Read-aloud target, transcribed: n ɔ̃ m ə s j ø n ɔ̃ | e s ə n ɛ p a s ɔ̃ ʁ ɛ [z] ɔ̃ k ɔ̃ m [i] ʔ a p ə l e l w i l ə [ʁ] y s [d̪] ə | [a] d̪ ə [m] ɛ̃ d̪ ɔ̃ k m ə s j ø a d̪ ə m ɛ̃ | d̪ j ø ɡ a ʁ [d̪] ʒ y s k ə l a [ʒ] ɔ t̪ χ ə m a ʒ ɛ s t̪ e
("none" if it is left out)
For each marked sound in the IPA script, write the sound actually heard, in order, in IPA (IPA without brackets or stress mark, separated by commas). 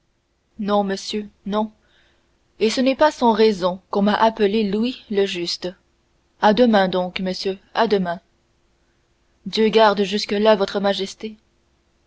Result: z, a, ʒ, t̪, a, m, d̪, v